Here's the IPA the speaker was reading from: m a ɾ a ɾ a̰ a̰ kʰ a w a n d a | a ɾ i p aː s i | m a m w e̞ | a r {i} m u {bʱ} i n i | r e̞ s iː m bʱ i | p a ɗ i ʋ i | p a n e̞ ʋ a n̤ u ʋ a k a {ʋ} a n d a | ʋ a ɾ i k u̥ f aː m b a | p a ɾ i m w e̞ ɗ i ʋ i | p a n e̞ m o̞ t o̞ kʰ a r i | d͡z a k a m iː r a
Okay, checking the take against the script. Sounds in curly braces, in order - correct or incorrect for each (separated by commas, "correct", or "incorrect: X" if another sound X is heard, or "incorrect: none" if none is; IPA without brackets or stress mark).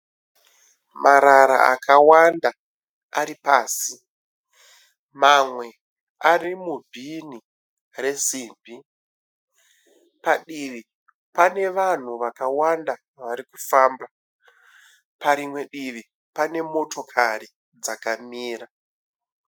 correct, correct, incorrect: w